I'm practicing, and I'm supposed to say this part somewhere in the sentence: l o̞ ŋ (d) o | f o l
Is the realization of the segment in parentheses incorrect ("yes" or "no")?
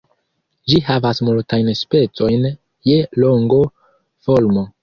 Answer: yes